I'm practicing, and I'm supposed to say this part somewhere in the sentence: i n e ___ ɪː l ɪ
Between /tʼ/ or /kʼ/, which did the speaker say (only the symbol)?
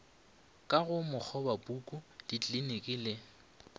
kʼ